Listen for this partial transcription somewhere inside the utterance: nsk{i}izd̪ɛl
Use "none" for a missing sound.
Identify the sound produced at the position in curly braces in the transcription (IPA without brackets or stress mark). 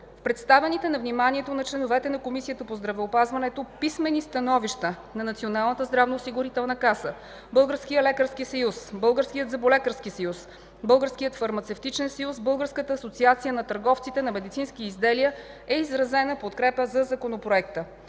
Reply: i